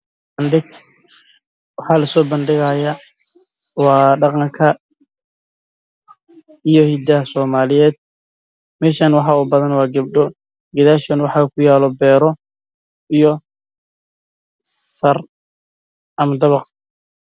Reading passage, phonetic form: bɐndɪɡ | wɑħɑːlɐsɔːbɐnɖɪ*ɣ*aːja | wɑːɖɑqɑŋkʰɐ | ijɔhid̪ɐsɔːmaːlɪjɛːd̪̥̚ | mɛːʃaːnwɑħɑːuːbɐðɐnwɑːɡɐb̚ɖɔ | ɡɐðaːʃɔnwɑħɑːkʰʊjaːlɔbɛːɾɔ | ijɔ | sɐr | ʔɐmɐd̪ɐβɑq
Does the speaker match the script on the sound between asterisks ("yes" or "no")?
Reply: yes